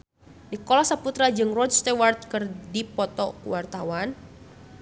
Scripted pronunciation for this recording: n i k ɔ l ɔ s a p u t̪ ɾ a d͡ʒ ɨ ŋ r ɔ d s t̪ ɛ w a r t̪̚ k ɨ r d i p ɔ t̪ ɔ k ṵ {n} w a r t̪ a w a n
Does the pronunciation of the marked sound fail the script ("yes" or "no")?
yes